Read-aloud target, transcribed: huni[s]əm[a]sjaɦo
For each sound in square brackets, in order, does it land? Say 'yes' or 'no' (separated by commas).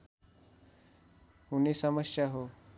yes, no